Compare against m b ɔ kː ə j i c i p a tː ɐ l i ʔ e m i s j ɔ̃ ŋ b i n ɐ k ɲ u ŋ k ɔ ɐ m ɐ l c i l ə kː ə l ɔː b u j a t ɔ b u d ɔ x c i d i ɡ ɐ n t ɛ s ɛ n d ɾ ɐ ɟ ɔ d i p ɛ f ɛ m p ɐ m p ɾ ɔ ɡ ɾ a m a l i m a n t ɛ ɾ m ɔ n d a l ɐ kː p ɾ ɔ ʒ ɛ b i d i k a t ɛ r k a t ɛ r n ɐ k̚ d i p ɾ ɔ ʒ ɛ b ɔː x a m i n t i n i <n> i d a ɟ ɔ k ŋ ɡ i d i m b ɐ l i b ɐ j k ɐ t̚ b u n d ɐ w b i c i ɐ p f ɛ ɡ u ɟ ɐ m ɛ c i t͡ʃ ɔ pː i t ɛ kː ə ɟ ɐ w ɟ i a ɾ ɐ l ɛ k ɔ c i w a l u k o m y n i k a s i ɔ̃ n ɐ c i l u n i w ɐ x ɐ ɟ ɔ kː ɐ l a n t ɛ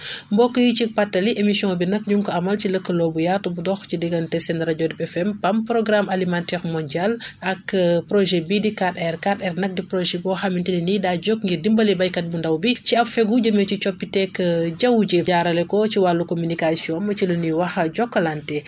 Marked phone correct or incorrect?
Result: correct